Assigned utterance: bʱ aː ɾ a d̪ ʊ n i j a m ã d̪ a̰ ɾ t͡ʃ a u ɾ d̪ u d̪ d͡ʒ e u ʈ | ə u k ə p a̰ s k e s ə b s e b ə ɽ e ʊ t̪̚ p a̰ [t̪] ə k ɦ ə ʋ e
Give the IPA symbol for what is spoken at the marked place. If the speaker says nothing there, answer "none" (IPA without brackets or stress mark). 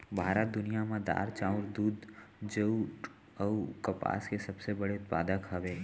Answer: d̪